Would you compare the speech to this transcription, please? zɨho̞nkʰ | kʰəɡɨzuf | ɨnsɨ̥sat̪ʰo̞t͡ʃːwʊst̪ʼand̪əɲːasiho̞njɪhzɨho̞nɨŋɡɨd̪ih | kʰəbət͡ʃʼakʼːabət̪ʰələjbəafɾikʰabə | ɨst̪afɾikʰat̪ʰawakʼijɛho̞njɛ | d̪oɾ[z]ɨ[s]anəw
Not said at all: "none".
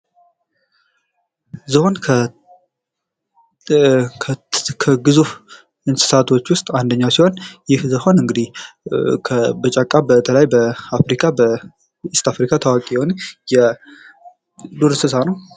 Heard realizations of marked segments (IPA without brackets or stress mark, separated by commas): s, s